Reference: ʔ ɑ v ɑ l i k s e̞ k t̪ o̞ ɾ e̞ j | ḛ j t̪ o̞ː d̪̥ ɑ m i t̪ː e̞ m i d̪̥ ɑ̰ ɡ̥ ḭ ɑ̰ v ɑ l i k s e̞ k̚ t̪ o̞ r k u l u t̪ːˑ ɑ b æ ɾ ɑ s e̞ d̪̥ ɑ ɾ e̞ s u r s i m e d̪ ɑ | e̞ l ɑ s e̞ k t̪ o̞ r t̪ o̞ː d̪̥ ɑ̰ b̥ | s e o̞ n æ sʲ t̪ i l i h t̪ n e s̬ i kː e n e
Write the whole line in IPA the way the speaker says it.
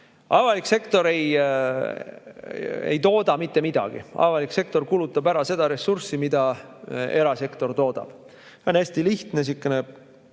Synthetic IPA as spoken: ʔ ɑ v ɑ l i k s e̞ k t̪ o̞ ɾ e̞ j | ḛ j t̪ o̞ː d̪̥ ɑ m i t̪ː e̞ m i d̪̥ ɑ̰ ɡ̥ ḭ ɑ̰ v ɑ l i k s e̞ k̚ t̪ o̞ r k u l u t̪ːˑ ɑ b æ ɾ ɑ s e̞ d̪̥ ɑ ɾ e̞ s u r s i m i d̪ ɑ | e̞ ɾ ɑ s e̞ k t̪ o̞ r t̪ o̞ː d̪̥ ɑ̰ b̥ | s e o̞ n æ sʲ t̪ i l i h t̪ n e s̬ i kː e n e